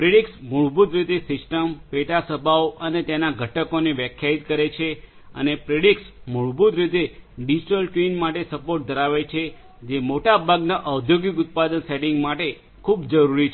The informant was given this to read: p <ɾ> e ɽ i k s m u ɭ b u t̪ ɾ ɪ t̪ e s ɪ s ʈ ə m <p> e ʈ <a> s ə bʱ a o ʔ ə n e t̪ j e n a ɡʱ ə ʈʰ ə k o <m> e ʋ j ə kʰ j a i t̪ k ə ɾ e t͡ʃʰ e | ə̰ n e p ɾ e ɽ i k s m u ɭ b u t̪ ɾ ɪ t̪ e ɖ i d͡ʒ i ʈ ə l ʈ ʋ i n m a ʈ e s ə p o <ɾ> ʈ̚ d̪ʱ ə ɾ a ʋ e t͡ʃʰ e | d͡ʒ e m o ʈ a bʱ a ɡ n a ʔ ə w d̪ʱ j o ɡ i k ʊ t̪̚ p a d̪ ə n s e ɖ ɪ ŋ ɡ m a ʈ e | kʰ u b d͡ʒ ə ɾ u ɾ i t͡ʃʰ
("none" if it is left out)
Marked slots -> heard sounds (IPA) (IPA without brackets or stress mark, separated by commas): ɾ, p, a, n, ɾ